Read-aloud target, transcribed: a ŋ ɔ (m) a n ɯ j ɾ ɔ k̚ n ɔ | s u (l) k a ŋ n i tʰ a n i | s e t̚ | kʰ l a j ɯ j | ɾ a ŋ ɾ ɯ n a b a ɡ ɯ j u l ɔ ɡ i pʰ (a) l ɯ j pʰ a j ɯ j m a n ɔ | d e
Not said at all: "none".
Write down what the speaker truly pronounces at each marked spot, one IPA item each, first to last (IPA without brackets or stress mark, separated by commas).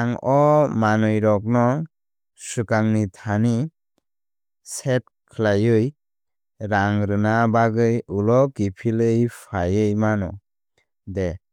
m, none, i